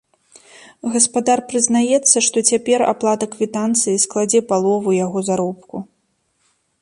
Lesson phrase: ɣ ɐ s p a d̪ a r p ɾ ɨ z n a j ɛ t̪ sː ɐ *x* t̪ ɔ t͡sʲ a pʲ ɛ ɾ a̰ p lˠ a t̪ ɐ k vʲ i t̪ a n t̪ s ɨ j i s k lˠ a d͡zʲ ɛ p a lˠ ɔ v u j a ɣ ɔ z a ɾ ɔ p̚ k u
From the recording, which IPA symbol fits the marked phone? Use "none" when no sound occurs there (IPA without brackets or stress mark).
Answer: ʂ